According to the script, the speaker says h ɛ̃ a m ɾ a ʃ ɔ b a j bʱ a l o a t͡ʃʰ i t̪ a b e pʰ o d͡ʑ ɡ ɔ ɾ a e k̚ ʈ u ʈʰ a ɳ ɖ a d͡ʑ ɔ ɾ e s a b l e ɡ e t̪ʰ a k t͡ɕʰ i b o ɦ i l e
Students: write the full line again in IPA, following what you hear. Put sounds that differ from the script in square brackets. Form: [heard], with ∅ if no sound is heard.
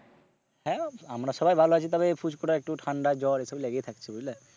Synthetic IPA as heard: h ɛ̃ a m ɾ a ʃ ɔ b a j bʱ a l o a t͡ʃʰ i t̪ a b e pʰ [u] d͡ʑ [k] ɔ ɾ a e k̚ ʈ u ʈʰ a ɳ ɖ a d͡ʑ ɔ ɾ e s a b l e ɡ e t̪ʰ a k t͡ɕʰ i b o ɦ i l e